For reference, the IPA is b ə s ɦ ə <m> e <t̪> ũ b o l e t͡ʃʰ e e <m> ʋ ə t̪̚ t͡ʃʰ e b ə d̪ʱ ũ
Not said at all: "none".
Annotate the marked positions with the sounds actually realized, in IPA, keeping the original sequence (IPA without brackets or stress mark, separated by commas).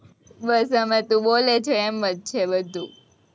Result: m, t̪, m